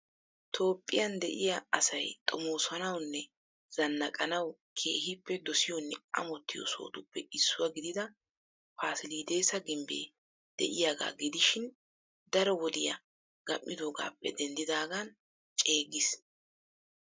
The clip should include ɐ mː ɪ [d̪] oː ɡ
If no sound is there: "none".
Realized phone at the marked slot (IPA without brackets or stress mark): d̪